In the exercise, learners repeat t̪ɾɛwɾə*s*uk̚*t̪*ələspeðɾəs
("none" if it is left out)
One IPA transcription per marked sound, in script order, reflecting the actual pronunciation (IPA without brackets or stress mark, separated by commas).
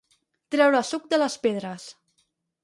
s, d̪